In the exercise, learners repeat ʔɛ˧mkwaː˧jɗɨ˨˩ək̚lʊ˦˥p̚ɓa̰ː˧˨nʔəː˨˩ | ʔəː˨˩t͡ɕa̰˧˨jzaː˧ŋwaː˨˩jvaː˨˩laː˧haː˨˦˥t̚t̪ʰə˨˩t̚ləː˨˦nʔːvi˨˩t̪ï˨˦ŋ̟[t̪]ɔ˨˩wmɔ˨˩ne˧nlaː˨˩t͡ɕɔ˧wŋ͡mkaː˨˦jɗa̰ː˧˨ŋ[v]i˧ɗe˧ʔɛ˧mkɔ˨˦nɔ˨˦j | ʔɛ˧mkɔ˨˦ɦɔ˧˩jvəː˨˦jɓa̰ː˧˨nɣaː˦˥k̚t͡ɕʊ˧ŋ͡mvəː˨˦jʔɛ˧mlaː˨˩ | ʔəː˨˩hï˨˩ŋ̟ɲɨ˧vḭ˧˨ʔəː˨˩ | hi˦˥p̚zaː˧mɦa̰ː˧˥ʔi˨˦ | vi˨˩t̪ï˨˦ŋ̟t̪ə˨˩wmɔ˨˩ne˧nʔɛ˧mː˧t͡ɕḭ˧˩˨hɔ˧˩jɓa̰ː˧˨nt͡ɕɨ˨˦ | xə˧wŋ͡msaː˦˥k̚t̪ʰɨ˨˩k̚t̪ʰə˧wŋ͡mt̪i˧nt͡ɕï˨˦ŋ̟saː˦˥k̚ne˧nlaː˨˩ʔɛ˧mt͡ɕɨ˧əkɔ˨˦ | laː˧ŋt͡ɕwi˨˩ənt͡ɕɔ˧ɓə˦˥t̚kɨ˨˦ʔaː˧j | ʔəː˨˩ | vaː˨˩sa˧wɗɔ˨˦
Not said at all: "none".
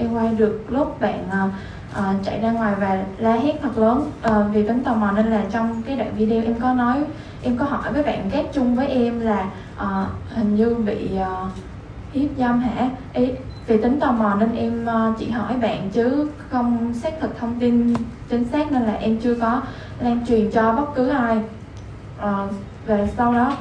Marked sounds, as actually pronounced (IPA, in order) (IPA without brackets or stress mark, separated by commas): t̪, v